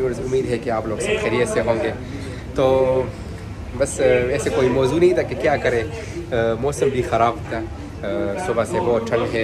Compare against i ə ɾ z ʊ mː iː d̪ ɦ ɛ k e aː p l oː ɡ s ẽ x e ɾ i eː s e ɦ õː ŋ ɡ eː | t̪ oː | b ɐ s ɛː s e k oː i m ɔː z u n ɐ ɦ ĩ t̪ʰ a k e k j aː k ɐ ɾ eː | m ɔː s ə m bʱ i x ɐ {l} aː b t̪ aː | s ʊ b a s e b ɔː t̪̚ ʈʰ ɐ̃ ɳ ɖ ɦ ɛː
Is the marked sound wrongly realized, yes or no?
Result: yes